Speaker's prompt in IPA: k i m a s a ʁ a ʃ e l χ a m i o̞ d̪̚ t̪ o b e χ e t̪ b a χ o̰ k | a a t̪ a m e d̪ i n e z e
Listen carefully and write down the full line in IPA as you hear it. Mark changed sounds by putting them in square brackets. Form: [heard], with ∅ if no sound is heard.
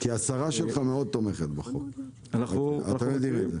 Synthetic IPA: k i [∅] a s a ʁ a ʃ e l χ a m [e] o̞ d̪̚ t̪ o [m] e χ e t̪ b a χ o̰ k | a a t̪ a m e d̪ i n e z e